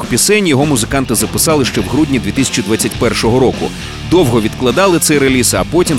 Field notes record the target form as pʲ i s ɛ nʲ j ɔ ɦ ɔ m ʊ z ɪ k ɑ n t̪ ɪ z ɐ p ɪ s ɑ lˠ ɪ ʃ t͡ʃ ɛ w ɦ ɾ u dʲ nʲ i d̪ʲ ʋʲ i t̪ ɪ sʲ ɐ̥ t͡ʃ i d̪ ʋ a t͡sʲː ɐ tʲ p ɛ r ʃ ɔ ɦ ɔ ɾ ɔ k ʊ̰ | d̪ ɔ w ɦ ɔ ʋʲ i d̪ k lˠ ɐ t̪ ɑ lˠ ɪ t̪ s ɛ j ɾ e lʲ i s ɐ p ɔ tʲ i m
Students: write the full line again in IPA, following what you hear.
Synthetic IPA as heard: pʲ i s ɛ nʲ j ɔ ɦ ɔ m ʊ z ɪ k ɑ n t̪ ɪ z ɐ p ɪ s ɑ lˠ ɪ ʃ t͡ʃ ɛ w ɦ ɾ u dʲ nʲ i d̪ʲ ʋʲ i t̪ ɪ sʲ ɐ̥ t͡ʃ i d̪ ʋ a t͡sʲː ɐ tʲ p ɛ r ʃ ɔ ɦ ɔ ɾ ɔ k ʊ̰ | d̪ ɔ w ɦ ɔ ʋʲ i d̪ k lˠ ɐ d̪ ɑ lˠ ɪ t̪ s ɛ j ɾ e lʲ i s ɐ p ɔ tʲ i m